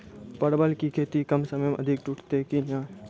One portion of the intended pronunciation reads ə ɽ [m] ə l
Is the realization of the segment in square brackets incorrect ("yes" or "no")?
yes